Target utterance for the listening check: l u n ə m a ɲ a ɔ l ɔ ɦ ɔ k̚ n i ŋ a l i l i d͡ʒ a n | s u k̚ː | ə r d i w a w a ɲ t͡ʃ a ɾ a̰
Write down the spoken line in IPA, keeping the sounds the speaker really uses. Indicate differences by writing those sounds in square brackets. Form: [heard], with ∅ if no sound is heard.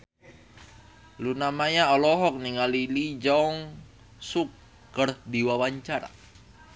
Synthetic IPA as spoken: l u n [a] m a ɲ a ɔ l ɔ ɦ ɔ k̚ n i ŋ a l i l i d͡ʒ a [ŋ] | s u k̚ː | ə r d i w a w a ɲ t͡ʃ a ɾ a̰